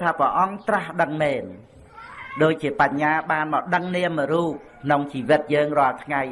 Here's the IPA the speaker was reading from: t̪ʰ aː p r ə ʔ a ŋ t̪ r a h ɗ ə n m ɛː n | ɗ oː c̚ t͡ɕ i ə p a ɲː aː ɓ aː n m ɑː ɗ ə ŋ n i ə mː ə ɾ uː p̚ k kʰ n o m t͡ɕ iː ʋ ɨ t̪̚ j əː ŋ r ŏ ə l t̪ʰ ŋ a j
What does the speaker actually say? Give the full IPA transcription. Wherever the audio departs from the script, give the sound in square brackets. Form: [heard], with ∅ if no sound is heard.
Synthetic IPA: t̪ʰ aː p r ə ʔ [ɑ] ŋ t̪ r a h ɗ ə [ŋ] m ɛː n | ɗ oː c̚ t͡ɕ i ə p a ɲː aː ɓ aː n m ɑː ɗ ə ŋ n i ə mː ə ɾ uː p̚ k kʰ n o [ŋ] t͡ɕ iː ʋ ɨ t̪̚ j əː ŋ r ŏ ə l t̪ʰ ŋ a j